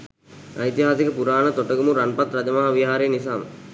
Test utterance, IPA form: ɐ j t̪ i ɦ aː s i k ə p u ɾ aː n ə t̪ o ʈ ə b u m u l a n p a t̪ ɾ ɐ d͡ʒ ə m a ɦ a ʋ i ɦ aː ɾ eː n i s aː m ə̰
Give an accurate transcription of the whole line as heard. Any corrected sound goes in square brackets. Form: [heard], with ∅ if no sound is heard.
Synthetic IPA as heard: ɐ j t̪ i ɦ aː s i k ə p u ɾ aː n ə t̪ o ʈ ə [ɡ] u m u [ɾ] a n p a t̪ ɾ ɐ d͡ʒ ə m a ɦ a ʋ i ɦ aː ɾ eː n i s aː m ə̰